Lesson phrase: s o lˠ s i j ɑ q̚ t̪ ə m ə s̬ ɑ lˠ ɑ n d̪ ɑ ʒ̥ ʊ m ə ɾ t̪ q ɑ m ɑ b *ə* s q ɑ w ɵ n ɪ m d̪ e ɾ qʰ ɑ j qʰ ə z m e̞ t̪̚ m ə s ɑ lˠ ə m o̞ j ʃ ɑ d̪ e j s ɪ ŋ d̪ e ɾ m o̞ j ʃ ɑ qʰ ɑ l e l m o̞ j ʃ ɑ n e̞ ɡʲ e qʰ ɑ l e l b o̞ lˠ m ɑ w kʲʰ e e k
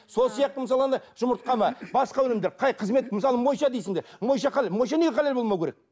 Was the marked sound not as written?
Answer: yes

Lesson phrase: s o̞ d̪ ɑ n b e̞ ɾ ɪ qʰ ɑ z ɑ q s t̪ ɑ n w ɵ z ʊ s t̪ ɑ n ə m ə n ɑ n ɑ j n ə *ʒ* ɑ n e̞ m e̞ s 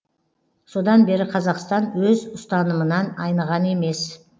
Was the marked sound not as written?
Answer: yes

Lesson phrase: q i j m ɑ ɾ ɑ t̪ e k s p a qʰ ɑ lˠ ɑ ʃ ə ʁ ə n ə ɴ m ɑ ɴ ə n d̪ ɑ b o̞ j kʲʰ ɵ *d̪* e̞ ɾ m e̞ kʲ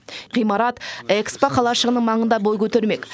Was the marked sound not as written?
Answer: yes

